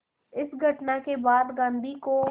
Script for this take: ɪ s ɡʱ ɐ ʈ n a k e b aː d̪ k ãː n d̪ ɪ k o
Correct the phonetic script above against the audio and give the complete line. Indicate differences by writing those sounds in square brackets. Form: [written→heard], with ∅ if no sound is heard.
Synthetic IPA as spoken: ɪ s ɡʱ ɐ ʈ n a k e b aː d̪ [k→ɡ] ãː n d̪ [ɪ→i] k o